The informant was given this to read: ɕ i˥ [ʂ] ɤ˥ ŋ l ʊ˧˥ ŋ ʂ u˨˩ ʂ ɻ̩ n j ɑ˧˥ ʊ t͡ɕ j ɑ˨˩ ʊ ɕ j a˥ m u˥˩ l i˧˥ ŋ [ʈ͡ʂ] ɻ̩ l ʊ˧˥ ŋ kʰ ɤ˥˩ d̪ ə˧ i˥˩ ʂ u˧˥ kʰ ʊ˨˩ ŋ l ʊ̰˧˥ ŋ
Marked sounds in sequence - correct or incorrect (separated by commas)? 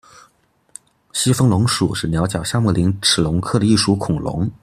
incorrect, incorrect